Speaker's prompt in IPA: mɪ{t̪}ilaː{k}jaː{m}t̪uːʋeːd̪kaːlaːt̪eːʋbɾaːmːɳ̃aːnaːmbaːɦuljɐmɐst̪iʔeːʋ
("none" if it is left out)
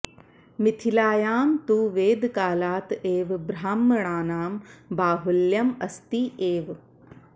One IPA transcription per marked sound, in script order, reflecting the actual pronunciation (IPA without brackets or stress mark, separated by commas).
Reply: t̪ʰ, none, m